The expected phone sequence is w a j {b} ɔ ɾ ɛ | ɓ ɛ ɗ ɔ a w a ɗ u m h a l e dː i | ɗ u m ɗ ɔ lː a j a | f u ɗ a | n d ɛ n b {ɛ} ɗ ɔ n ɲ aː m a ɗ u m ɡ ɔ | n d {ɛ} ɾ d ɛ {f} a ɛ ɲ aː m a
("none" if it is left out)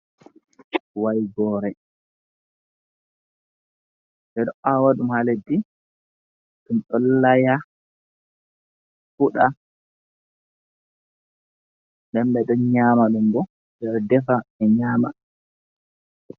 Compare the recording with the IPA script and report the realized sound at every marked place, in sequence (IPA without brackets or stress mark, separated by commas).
ɡ, ɛ, ɛ, f